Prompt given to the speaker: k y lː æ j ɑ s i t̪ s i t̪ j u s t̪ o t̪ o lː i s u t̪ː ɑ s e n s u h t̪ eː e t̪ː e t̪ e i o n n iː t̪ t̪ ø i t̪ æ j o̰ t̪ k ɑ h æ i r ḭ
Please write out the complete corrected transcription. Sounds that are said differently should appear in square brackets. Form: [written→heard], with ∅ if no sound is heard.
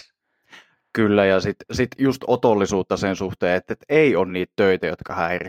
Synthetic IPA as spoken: k y lː æ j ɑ s i t̪ s i t̪ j u s t̪ o t̪ o lː i s [u→uː] t̪ː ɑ s e n s u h t̪ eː e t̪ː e t̪ e i o n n iː t̪ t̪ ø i t̪ æ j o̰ t̪ k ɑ h æ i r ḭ